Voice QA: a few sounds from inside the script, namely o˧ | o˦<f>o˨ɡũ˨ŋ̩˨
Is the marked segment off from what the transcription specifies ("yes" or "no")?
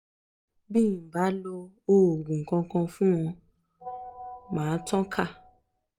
yes